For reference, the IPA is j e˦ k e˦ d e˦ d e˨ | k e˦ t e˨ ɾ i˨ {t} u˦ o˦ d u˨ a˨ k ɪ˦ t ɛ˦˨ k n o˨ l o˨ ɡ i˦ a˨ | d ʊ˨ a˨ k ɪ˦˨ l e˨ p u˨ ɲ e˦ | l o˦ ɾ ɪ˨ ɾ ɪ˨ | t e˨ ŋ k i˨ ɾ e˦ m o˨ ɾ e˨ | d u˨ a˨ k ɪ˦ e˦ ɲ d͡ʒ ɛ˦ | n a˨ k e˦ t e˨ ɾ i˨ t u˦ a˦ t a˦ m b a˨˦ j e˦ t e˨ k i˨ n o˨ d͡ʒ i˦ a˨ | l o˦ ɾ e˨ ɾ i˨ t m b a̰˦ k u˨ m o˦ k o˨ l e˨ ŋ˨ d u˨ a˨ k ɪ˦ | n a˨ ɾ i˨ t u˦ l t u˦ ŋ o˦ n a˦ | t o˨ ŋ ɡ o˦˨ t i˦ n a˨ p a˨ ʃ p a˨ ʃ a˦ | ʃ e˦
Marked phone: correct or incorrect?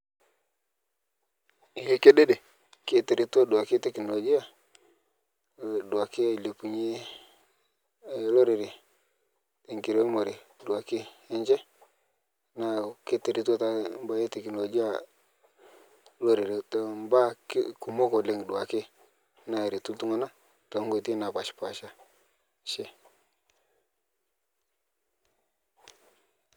correct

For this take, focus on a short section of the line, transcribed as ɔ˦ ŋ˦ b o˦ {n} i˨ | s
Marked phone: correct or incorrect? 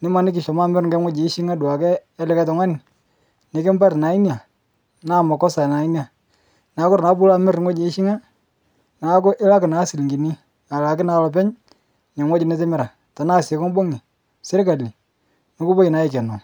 incorrect: ŋ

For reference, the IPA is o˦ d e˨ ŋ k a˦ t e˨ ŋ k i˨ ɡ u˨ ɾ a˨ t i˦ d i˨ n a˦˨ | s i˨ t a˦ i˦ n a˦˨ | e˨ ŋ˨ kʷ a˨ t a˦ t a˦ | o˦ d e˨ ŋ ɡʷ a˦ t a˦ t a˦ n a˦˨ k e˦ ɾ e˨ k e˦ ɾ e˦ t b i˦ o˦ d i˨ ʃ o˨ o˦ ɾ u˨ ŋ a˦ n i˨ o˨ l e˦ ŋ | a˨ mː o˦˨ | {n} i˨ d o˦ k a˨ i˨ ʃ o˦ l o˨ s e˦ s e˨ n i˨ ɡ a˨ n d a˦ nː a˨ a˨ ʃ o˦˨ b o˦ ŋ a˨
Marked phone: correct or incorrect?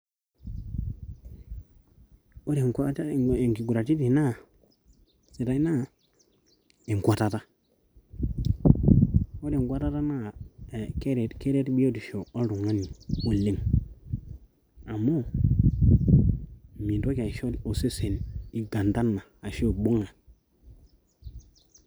incorrect: m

